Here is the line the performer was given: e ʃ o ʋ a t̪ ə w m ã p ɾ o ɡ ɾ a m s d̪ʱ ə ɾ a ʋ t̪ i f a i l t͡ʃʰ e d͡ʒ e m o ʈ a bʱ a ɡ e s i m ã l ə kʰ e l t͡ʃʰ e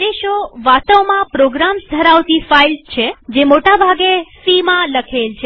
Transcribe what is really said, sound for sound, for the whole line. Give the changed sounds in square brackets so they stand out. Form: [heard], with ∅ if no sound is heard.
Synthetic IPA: e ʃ o ʋ a t̪ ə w m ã p ɾ o ɡ ɾ a m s d̪ʱ ə ɾ a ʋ t̪ i f a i l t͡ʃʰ e d͡ʒ e m o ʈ a bʱ a ɡ e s i m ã l ə kʰ e l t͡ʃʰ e